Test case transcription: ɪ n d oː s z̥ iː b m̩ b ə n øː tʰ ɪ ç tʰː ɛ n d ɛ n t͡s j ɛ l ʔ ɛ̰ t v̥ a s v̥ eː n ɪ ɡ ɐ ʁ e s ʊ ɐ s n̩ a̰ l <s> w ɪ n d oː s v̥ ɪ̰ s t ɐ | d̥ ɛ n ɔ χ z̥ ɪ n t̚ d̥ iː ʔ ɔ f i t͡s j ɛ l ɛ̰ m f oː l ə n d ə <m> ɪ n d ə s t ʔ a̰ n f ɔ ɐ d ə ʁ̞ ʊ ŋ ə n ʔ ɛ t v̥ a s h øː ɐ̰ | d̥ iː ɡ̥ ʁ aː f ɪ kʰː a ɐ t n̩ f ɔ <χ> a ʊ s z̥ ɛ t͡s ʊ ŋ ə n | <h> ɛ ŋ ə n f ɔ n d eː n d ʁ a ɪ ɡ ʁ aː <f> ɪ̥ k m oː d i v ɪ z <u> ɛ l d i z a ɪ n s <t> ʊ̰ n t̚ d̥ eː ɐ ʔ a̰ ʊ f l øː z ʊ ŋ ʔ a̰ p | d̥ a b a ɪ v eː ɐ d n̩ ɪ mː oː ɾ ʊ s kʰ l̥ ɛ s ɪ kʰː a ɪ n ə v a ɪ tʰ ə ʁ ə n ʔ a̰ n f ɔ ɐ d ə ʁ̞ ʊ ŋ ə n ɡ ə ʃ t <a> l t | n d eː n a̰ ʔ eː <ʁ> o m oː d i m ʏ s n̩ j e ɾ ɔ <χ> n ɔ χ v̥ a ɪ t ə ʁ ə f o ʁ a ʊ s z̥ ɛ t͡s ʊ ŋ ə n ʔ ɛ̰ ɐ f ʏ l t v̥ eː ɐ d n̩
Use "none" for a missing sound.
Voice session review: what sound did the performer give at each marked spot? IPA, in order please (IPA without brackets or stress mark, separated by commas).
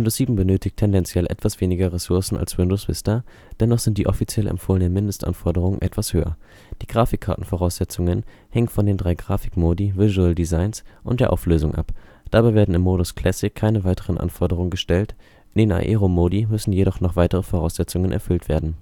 s, m, ʁ, h, f, u, ʔ, ɛ, ʁ, χ